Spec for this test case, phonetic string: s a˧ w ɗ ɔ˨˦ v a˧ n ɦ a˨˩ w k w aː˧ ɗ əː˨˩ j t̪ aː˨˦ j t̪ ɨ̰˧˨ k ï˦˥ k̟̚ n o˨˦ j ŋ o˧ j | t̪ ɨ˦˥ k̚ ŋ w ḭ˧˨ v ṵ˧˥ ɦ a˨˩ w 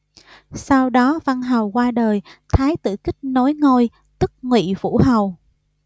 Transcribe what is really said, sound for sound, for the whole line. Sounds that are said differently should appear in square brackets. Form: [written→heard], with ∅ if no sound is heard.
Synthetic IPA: s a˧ w ɗ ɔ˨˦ v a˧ n ɦ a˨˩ w k w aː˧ ɗ əː˨˩ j [t̪→t̪ʰ] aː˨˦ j t̪ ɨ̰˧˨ k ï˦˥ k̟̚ n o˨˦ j ŋ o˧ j | t̪ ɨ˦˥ k̚ ŋ w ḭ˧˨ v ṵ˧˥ ɦ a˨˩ w

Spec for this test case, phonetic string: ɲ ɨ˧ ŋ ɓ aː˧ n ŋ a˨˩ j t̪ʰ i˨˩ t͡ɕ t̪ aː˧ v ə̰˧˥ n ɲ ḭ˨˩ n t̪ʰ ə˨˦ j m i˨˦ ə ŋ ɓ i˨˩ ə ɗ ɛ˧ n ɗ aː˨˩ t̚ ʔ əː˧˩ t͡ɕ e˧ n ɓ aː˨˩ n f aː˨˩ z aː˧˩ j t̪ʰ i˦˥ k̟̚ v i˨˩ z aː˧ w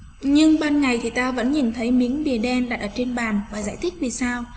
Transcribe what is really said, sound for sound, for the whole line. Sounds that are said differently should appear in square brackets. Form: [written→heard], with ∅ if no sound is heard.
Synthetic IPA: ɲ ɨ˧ ŋ ɓ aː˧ n ŋ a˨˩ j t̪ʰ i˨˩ [t͡ɕ→∅] t̪ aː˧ v ə̰˧˥ n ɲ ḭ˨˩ n t̪ʰ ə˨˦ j m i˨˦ ə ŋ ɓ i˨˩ ə ɗ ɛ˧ n ɗ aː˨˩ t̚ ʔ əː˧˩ t͡ɕ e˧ n ɓ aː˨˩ n [f→v] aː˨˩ z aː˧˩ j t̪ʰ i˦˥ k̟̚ v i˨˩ [z→s] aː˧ w

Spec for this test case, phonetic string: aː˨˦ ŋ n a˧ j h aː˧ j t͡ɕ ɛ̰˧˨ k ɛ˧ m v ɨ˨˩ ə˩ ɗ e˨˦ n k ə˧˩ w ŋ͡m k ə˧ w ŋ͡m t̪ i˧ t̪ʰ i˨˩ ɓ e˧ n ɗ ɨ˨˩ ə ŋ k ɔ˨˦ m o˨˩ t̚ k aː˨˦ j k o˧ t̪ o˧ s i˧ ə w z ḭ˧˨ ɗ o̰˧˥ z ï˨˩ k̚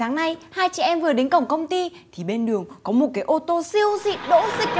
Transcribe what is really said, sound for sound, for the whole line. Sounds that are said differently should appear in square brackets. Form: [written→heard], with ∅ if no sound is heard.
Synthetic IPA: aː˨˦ ŋ n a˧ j h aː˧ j t͡ɕ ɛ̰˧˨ [k→ʔ] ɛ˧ m v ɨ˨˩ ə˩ ɗ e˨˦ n k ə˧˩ w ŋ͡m k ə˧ w ŋ͡m t̪ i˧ t̪ʰ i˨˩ ɓ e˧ n ɗ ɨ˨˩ ə ŋ k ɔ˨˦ m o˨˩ t̚ k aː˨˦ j [k→ʔ] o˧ t̪ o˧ s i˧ ə w z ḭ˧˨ ɗ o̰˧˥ z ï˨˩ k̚

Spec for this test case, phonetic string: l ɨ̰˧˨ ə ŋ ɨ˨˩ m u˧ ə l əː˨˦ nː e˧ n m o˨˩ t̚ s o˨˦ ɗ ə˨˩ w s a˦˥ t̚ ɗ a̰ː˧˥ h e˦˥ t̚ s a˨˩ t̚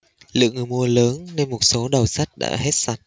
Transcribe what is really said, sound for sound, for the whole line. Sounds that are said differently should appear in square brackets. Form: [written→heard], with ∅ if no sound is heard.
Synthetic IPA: l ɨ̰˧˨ ə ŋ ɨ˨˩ m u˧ ə l əː˨˦ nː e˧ n m o˨˩ t̚ s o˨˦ ɗ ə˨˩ w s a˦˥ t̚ ɗ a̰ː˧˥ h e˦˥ t̚ s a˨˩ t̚

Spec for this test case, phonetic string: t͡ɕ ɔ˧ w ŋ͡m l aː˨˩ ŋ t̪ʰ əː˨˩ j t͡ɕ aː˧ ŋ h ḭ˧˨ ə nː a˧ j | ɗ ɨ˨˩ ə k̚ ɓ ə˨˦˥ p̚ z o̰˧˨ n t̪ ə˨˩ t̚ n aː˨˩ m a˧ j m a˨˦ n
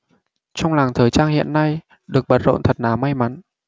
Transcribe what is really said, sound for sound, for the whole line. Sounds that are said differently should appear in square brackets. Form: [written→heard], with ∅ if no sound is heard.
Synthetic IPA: t͡ɕ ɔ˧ w ŋ͡m l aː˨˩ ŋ t̪ʰ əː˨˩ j t͡ɕ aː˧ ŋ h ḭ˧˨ ə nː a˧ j | ɗ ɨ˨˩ ə k̚ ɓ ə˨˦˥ [p̚→t̚] z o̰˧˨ n [t̪→t̪ʰ] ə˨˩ t̚ n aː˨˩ m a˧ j m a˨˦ n

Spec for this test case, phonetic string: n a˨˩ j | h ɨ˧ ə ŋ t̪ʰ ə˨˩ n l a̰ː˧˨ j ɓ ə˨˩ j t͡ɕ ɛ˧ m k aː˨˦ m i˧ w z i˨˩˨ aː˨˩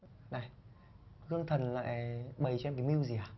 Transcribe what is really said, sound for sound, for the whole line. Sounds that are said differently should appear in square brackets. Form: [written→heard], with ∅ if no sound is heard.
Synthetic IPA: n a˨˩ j | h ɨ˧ ə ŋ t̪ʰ ə˨˩ n l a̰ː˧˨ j ɓ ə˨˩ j t͡ɕ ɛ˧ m k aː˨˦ m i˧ w z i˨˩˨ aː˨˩

